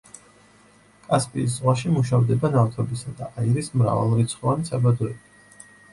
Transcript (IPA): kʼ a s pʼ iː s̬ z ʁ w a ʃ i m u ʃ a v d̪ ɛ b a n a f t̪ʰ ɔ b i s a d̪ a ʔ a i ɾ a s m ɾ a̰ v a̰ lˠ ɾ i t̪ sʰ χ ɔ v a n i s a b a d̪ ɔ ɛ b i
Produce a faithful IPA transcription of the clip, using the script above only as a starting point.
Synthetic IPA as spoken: kʼ a s pʼ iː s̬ z ʁ w a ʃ i m u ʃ a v d̪ ɛ b a n a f t̪ʰ ɔ b i s a d̪ a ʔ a i ɾ i s m ɾ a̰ v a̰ lˠ ɾ i t̪ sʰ χ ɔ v a n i s a b a d̪ ɔ ɛ b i